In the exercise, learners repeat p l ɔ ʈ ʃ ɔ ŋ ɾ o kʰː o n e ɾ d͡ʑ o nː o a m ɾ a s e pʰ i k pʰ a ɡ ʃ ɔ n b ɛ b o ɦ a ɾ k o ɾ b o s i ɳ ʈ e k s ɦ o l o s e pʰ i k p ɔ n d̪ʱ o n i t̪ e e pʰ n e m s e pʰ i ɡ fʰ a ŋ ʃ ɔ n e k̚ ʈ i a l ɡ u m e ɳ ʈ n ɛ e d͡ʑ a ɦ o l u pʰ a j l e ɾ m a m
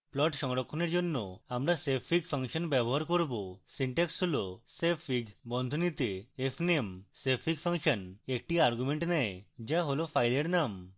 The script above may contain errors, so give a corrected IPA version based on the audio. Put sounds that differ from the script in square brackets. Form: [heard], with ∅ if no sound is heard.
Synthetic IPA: p l ɔ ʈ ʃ ɔ ŋ ɾ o kʰː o n e ɾ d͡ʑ o nː o a m ɾ a s e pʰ i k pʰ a [ŋ] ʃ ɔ n b ɛ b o ɦ a ɾ k o ɾ b o s i ɳ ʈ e k s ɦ o l o s e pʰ i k [b] ɔ n d̪ʱ o n i t̪ e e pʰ n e m s e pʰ i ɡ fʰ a ŋ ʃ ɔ n e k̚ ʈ i a [ɾ] ɡ u m e ɳ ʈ n ɛ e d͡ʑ a ɦ o l [o] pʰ a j l e ɾ [n] a m